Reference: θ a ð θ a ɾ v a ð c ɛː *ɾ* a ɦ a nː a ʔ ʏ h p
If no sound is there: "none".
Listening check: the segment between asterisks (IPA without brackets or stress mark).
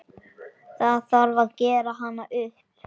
ɾ